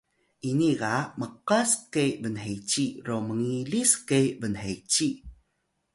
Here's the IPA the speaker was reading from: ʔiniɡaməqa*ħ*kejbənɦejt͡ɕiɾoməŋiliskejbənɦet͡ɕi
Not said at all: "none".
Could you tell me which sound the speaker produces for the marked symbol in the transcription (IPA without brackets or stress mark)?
s